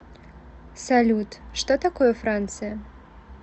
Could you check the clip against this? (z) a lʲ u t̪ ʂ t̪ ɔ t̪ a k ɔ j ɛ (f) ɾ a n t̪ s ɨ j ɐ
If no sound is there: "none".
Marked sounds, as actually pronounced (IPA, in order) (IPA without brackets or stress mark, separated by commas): s, f